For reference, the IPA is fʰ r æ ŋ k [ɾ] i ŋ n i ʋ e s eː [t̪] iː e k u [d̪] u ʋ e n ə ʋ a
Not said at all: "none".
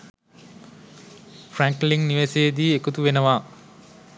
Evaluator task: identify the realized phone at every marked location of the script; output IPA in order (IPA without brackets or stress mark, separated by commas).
l, d̪, t̪